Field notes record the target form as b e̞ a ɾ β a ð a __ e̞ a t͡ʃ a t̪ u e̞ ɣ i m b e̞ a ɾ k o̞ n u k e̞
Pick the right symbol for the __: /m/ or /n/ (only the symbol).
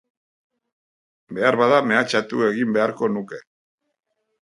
m